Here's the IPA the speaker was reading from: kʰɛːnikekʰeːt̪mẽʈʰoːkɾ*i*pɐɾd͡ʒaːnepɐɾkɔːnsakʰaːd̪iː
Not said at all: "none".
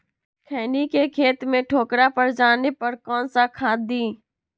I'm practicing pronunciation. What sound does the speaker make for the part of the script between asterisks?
a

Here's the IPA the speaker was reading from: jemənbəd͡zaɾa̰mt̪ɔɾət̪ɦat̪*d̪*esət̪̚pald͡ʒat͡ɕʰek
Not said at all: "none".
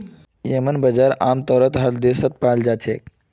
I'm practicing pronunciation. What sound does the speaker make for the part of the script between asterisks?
d̪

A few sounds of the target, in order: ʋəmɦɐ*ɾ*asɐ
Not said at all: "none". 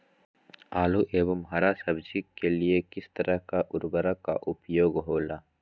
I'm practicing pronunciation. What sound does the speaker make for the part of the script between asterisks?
ɾ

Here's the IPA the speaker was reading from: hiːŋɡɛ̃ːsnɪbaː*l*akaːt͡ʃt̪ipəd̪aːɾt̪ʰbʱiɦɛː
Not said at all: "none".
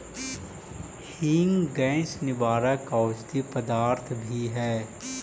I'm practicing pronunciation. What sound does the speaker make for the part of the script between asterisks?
ɾ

